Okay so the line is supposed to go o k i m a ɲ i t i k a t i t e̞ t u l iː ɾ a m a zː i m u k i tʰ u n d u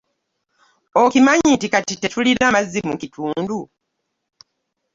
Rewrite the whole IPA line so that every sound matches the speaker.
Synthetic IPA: o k i m a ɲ i t i k a t i t e̞ t u l i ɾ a m a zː i m u k i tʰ uː n d u